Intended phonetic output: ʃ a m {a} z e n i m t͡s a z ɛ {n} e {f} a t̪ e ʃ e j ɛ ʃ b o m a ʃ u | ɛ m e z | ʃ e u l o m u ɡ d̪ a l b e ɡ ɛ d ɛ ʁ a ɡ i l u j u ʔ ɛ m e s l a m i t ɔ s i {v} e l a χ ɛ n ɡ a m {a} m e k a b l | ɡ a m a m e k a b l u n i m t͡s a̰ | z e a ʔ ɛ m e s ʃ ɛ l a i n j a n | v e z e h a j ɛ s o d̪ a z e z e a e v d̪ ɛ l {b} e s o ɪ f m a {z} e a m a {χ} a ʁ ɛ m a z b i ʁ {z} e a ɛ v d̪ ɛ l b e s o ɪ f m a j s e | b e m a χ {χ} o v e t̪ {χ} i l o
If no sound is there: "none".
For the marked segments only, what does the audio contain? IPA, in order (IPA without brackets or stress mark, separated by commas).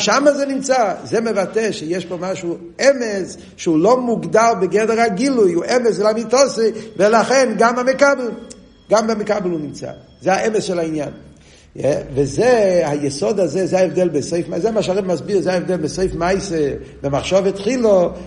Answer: a, m, v, v, a, b, z, ʃ, z, ʃ, χ